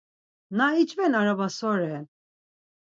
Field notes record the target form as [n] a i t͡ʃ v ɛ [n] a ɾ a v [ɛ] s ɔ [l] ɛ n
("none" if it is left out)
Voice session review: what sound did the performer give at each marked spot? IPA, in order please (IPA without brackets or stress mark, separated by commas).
n, n, a, ɾ